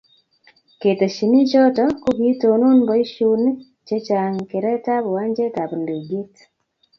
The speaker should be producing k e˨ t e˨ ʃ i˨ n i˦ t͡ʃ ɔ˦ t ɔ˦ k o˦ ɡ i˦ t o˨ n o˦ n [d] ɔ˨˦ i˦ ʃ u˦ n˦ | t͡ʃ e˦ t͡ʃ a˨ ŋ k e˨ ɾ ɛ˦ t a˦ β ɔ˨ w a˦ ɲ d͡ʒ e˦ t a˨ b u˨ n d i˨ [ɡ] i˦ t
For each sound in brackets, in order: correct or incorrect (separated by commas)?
incorrect, correct